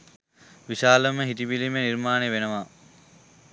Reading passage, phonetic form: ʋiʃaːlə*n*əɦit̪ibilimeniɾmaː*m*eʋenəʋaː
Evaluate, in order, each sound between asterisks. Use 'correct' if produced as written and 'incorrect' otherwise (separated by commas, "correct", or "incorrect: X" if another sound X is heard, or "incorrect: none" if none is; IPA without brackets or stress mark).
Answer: incorrect: m, incorrect: n